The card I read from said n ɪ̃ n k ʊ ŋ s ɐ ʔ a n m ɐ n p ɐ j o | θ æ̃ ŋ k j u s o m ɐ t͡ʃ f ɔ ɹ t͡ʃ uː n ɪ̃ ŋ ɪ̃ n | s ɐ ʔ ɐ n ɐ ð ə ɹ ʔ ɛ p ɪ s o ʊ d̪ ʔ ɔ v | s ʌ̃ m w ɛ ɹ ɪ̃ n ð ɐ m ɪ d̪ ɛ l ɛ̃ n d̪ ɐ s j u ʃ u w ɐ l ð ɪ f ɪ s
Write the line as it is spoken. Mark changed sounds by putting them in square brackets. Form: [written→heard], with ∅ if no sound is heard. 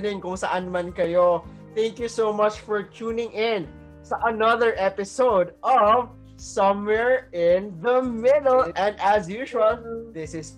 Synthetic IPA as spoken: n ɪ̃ [n→ŋ] k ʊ ŋ s ɐ ʔ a n m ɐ n [p→k] ɐ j o | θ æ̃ ŋ k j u s o m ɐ t͡ʃ f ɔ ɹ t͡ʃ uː n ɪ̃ ŋ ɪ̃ n | s ɐ ʔ ɐ n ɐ ð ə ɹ ʔ ɛ p ɪ s o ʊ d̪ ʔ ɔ v | s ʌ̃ m w ɛ ɹ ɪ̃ n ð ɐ m ɪ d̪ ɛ l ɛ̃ n d̪ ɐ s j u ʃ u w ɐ l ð ɪ [f→s] ɪ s